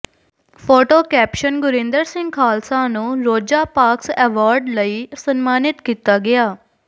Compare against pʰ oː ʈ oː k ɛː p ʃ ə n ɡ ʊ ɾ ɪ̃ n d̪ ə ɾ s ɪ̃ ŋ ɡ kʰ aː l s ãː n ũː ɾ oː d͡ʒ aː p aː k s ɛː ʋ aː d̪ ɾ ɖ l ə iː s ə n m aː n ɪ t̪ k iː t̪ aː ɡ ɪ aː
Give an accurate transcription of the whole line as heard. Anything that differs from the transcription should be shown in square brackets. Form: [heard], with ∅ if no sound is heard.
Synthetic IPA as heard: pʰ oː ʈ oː k ɛː p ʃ ə n ɡ ʊ ɾ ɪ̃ n d̪ ə ɾ s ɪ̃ ŋ ɡ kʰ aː l s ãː n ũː ɾ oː d͡ʒ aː p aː k s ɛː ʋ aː [∅] ɾ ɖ l ə iː s ə n m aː n ɪ t̪ k iː t̪ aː ɡ ɪ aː

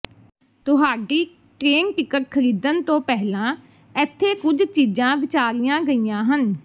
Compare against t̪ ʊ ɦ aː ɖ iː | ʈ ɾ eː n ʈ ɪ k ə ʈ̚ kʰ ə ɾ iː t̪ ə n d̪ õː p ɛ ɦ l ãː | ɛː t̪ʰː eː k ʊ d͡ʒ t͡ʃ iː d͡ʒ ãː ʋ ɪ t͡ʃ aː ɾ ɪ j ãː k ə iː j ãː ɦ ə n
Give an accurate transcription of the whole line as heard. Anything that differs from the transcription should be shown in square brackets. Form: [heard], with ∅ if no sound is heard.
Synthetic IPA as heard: t̪ ʊ ɦ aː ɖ iː | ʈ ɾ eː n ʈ ɪ k ə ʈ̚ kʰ ə ɾ iː [d̪] ə n [t̪] õː p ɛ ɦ l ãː | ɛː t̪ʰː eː k ʊ d͡ʒ t͡ʃ iː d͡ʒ ãː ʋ ɪ t͡ʃ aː ɾ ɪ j ãː [ɡ] ə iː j ãː ɦ ə n

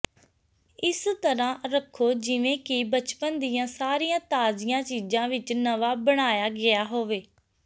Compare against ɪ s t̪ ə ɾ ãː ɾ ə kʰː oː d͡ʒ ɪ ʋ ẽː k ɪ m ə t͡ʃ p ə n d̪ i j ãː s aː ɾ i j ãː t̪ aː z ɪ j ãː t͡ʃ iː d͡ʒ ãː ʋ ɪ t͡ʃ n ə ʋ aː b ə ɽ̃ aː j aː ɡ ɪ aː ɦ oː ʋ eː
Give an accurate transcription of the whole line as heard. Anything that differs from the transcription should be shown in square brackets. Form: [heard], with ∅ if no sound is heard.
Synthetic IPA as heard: ɪ s t̪ ə ɾ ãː ɾ ə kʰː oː d͡ʒ ɪ ʋ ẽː k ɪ [b] ə t͡ʃ p ə n d̪ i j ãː s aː ɾ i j ãː t̪ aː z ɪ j ãː t͡ʃ iː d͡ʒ ãː ʋ ɪ t͡ʃ n ə ʋ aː b ə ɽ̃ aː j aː ɡ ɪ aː ɦ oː ʋ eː

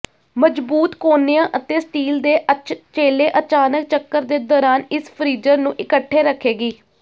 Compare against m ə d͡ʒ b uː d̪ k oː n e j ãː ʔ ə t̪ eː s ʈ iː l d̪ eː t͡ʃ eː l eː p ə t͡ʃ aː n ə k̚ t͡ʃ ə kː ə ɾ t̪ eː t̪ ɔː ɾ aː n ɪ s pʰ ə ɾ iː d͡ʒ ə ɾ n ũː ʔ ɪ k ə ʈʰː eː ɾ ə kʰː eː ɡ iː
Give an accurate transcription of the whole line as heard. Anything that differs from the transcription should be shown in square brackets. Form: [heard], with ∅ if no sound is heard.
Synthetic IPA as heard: m ə d͡ʒ b uː [t̪] k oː n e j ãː ʔ ə t̪ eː s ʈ iː l d̪ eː t͡ʃ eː l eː [ʔ] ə t͡ʃ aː n ə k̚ t͡ʃ ə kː ə ɾ [d̪] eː [d̪] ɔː ɾ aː n ɪ s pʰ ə ɾ iː d͡ʒ ə ɾ n ũː ʔ ɪ k ə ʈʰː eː ɾ ə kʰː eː ɡ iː

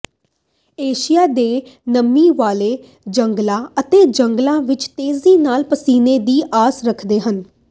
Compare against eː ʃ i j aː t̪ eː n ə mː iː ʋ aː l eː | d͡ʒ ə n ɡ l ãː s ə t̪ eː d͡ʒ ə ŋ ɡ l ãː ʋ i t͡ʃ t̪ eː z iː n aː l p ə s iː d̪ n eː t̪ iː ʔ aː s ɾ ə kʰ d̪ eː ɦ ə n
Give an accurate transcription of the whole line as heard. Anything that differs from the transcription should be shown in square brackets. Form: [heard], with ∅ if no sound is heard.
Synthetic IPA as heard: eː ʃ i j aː [d̪] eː n ə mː iː ʋ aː l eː | d͡ʒ ə [ŋ] ɡ l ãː [∅] ə t̪ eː d͡ʒ ə ŋ ɡ l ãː ʋ [ɪ] t͡ʃ t̪ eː z iː n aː l p ə s iː [∅] n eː [d̪] iː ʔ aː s ɾ ə kʰ d̪ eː ɦ ə n

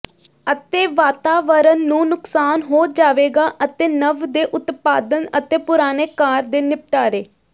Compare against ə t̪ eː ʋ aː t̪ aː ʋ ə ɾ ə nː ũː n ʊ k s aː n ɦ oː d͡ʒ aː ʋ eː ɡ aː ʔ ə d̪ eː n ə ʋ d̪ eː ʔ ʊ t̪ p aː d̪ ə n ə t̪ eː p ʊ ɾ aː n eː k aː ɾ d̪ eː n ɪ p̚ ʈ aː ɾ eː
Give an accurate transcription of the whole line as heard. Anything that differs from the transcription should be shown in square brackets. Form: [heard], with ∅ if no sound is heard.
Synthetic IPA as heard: ə t̪ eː ʋ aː t̪ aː ʋ ə ɾ ə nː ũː n ʊ k s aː n ɦ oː d͡ʒ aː ʋ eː ɡ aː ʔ ə [t̪] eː n ə ʋ d̪ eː ʔ ʊ t̪ p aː d̪ ə n ə t̪ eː p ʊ ɾ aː n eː k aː ɾ d̪ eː n ɪ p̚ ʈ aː ɾ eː

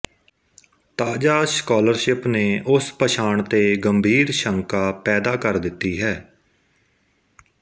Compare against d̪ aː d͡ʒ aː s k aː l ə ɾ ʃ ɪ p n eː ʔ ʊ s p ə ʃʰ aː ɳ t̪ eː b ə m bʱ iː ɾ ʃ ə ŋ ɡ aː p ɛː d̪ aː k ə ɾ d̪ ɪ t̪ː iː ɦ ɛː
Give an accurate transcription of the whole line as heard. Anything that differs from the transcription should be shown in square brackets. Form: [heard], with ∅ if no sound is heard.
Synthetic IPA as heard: [t̪] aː d͡ʒ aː s k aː l ə ɾ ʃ ɪ p n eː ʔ ʊ s p ə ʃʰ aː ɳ t̪ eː [ɡ] ə m bʱ iː ɾ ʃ ə ŋ [k] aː p ɛː d̪ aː k ə ɾ d̪ ɪ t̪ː iː ɦ ɛː

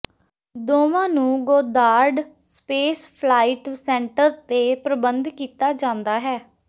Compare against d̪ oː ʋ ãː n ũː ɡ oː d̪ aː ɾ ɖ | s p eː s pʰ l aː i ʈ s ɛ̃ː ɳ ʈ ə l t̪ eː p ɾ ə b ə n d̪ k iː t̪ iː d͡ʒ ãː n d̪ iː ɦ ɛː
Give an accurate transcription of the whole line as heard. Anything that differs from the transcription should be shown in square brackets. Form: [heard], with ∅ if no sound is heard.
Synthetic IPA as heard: d̪ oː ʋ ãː n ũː ɡ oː d̪ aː ɾ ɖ | s p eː s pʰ l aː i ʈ s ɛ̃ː ɳ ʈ ə [ɾ] t̪ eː p ɾ ə b ə n d̪ k iː t̪ [aː] d͡ʒ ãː n d̪ [aː] ɦ ɛː

